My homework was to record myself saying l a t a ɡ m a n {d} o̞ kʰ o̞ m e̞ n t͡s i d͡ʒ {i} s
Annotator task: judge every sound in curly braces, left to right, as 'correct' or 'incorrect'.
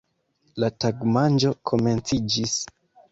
incorrect, correct

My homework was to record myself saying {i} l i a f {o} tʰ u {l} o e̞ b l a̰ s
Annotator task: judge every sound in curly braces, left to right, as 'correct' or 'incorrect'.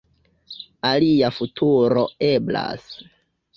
incorrect, incorrect, incorrect

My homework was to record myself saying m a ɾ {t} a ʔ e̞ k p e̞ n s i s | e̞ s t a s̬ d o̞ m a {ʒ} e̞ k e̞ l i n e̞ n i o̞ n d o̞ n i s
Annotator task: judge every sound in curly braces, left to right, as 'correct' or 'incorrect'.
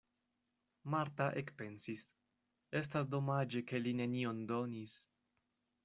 correct, incorrect

